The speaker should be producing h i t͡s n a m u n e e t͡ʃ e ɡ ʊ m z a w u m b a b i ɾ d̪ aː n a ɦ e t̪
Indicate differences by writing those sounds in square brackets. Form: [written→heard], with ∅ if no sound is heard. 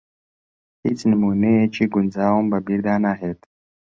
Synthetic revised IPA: h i t͡s n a m u n e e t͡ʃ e ɡ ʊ [m→n] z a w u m b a b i ɾ d̪ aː n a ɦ e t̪